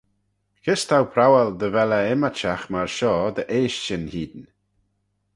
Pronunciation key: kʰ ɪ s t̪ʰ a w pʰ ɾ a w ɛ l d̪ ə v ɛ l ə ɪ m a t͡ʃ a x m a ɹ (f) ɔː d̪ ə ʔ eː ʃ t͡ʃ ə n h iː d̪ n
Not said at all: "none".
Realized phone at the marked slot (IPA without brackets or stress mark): ʃ